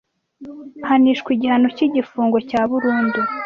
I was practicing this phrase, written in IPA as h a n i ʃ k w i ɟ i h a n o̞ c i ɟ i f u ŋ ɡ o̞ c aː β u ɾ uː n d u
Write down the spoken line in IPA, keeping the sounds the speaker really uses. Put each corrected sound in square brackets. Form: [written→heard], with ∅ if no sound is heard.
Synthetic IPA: h a n i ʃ k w i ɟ i h a n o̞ c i ɟ i f [u→uː] ŋ ɡ o̞ c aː β u ɾ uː n d u